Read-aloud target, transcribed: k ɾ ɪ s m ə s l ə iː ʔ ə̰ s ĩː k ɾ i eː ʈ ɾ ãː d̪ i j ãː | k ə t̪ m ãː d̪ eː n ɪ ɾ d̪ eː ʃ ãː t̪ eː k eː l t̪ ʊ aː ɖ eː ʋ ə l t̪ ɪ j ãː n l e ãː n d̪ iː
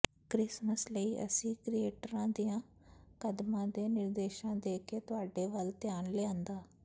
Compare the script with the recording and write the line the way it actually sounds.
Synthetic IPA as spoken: k ɾ ɪ s m ə s l ə iː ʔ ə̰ s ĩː k ɾ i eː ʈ ɾ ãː d̪ i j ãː | k ə d̪ m ãː d̪ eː n ɪ ɾ d̪ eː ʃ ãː d̪ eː k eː t̪ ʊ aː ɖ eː ʋ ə l t̪ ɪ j aː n l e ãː n d̪ aː

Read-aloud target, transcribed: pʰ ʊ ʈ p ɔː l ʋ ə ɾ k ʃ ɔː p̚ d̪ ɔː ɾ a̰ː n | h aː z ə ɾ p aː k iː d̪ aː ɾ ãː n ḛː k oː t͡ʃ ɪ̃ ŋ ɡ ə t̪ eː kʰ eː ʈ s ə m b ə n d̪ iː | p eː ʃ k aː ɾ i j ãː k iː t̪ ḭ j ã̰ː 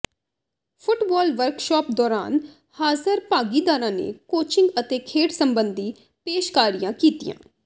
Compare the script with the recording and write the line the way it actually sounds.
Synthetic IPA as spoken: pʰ ʊ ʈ b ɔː l ʋ ə ɾ k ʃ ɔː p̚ d̪ ɔː ɾ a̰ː n | h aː z ə ɾ p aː ɡ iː d̪ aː ɾ ãː n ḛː k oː t͡ʃ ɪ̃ ŋ ɡ ə t̪ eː kʰ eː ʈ s ə m b ə n d̪ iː | p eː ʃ k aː ɾ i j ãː k iː t̪ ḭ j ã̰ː

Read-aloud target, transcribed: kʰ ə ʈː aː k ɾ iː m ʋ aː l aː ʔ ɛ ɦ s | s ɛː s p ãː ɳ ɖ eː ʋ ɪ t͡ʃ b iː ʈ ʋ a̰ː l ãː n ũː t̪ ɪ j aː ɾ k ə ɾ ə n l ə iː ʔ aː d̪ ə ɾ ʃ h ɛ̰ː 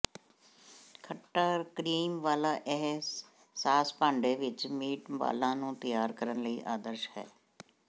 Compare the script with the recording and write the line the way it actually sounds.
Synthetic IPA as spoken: kʰ ə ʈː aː k ɾ iː m ʋ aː l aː ʔ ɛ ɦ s | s aː s p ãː ɳ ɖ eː ʋ ɪ t͡ʃ m iː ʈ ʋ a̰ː l ãː n ũː t̪ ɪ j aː ɾ k ə ɾ ə n l ə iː ʔ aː d̪ ə ɾ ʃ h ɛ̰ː

